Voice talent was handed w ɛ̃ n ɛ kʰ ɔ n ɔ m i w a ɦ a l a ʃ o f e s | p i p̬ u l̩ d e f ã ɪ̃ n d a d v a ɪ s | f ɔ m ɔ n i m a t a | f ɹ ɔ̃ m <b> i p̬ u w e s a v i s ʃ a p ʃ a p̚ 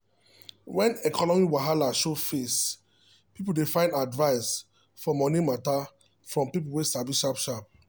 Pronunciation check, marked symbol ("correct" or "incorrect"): incorrect